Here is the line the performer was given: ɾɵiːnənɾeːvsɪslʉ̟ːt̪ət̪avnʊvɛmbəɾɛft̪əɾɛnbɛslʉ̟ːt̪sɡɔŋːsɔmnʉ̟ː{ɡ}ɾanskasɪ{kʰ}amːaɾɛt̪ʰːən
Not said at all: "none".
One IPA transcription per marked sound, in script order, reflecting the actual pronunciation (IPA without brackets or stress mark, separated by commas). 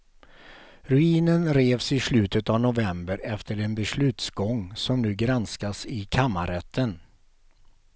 ɡ, kʰ